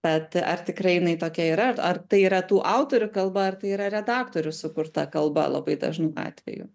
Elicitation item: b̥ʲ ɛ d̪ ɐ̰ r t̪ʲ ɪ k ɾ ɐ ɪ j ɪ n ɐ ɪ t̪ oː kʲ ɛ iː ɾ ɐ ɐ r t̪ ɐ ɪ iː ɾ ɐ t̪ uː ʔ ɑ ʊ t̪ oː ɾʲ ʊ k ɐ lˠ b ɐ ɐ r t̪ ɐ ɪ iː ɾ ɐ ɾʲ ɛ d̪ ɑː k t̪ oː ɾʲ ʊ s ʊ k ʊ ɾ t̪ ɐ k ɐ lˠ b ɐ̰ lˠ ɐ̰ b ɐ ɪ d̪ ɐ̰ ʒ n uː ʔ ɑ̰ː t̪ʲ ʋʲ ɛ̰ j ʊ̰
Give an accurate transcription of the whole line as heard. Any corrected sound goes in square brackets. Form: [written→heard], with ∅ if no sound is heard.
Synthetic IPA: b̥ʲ ɛ [d̪→t̪] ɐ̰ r t̪ʲ ɪ k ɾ ɐ ɪ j ɪ n ɐ ɪ t̪ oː kʲ ɛ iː ɾ ɐ ɐ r t̪ ɐ ɪ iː ɾ ɐ t̪ uː ʔ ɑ ʊ t̪ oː ɾʲ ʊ k ɐ lˠ b ɐ ɐ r t̪ ɐ ɪ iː ɾ ɐ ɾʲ ɛ d̪ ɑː k t̪ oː ɾʲ ʊ s ʊ k ʊ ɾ t̪ ɐ k ɐ lˠ b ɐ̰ lˠ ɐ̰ b ɐ ɪ d̪ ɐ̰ ʒ n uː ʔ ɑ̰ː t̪ʲ ʋʲ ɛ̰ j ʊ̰